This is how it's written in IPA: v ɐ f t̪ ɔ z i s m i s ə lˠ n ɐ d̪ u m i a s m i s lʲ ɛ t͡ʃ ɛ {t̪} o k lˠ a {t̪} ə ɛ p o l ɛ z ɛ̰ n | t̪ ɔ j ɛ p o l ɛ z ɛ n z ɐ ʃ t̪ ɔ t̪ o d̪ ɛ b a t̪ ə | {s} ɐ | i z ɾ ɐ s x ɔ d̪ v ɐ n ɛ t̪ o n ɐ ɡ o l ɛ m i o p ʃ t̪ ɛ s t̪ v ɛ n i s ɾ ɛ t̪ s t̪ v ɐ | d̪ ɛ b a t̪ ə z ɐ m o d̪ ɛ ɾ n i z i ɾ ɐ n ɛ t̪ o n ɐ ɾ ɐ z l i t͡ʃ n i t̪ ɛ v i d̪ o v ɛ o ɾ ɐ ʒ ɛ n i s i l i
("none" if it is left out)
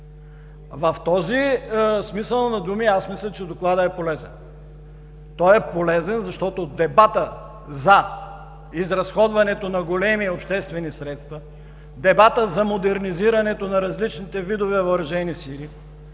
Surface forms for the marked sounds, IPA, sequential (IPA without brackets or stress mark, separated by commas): d̪, d̪, z